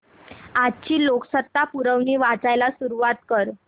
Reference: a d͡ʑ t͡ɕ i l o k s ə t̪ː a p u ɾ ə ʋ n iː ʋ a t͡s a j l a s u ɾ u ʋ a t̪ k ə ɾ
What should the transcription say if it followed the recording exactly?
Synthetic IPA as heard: a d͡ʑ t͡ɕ iː l o k s ə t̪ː a p u ɾ ə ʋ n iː ʋ a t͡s a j l a s u ɾ u ʋ a t̪ k ə ɾ

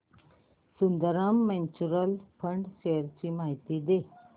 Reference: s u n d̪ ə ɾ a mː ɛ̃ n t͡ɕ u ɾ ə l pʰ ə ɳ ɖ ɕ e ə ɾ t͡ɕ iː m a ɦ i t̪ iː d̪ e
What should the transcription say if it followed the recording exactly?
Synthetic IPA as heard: s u n d̪ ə ɾ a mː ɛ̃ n t͡ɕ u ɾ ə l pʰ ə ɳ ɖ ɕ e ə ɾ t͡ɕ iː m a ɦ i t̪ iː d̪ e

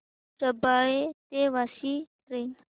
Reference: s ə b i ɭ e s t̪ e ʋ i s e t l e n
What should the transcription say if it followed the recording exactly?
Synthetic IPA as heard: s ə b a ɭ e t̪ e ʋ a s i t ɾ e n

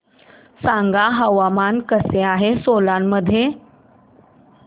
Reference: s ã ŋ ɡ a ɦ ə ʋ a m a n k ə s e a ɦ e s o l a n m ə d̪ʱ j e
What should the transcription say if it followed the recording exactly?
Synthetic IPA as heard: s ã ŋ ɡ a ɦ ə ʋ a m a n k ə s e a ɦ e s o l a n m ə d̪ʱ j e

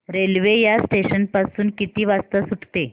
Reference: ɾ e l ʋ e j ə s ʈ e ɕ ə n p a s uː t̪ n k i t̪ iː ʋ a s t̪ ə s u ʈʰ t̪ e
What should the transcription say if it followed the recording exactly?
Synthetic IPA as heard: ɾ e l ʋ e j a s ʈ e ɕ ə n p a s uː n k i t̪ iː ʋ a s t̪ ə s u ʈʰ t̪ e

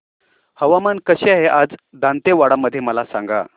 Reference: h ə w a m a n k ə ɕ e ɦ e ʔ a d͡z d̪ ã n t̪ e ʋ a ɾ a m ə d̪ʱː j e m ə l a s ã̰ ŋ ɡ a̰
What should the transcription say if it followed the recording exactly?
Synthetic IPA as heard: h ə ʋ a m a n k ə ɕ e ɦ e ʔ a d͡z d̪ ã n t̪ e ʋ a ɽ a m ə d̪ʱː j e m ə l a s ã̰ ŋ ɡ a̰

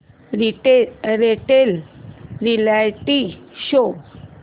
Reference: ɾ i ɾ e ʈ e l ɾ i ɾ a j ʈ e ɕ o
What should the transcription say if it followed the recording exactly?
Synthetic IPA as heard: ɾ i ɾ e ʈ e l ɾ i l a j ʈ i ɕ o

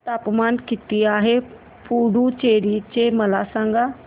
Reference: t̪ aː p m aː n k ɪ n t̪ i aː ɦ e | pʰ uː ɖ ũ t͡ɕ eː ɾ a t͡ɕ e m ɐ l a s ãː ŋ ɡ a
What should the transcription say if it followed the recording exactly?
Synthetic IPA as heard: t̪ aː p m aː n k ɪ t̪ i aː ɦ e | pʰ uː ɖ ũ t͡ɕ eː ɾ i t͡ɕ e m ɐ l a s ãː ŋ ɡ a

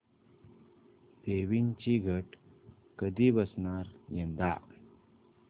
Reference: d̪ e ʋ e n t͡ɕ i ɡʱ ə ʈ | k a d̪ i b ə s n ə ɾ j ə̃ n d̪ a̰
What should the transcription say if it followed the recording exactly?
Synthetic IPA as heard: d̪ e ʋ i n t͡ɕ i ɡʱ ə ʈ | k ə d̪ i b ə s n a ɾ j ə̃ n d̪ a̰

